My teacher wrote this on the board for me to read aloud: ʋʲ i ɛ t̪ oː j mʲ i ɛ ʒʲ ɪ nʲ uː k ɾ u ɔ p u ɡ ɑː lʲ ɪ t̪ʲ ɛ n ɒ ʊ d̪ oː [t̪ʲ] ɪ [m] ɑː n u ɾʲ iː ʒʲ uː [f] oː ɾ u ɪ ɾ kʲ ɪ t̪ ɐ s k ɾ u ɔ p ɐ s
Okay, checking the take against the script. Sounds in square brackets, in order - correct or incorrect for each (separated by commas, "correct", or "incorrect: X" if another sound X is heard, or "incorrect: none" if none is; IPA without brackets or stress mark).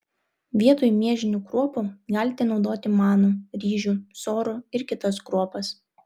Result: correct, correct, incorrect: s